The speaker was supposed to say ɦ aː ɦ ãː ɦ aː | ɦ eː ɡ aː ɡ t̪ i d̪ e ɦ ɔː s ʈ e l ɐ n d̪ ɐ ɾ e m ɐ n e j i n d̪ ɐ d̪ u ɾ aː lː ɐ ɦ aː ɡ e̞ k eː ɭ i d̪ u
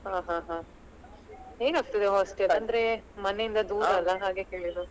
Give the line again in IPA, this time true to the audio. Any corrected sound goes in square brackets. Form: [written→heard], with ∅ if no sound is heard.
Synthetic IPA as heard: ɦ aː ɦ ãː ɦ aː | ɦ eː ɡ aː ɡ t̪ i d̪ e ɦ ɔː s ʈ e l ɐ n d̪ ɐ ɾ e m ɐ n e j i n d̪ ɐ d̪ [u→uː] ɾ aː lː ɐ ɦ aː ɡ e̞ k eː ɭ i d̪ u